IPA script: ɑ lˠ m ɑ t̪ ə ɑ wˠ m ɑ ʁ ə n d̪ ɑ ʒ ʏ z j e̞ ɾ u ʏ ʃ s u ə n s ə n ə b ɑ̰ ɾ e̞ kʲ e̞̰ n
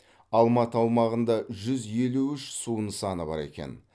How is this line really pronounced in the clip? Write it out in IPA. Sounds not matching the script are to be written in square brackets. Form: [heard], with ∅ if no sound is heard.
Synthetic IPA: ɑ lˠ m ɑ t̪ ə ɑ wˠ m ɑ ʁ ə n d̪ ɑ ʒ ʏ z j e̞ [l] u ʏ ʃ s u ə n s [ɑ] n ə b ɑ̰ ɾ e̞ kʲ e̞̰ n